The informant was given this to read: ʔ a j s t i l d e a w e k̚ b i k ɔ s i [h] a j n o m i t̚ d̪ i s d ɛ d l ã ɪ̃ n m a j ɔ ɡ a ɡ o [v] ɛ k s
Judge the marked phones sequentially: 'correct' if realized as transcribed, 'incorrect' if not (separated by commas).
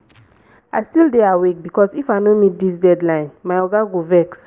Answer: incorrect, correct